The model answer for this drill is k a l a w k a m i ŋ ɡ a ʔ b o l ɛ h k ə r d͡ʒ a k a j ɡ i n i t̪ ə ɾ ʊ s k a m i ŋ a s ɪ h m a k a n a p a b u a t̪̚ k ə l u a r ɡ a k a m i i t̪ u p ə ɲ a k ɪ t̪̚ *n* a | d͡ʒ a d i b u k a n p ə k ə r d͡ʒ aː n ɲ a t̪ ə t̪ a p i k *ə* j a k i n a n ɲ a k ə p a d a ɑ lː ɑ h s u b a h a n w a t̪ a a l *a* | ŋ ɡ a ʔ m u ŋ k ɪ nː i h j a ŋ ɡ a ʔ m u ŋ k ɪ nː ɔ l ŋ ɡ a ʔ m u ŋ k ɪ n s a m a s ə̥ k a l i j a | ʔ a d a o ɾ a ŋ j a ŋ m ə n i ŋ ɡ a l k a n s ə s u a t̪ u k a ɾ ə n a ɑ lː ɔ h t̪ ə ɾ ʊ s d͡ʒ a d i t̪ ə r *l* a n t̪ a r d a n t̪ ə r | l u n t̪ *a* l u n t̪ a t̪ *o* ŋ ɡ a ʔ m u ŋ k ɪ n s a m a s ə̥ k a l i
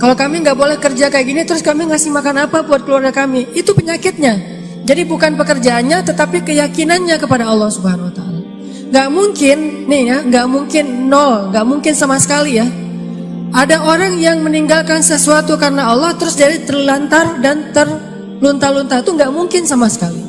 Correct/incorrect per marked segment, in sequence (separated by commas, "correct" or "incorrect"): incorrect, correct, correct, correct, correct, incorrect